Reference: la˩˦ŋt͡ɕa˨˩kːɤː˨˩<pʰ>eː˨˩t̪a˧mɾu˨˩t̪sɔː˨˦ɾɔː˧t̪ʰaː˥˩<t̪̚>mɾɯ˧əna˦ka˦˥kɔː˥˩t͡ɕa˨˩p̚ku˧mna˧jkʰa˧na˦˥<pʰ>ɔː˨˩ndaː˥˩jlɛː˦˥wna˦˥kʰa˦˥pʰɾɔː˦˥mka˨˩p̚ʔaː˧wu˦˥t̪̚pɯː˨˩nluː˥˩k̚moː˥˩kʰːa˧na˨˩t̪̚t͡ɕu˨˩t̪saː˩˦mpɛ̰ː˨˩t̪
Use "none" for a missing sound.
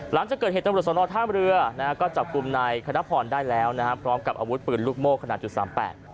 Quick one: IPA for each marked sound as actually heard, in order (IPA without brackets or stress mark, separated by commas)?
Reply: none, none, pʰ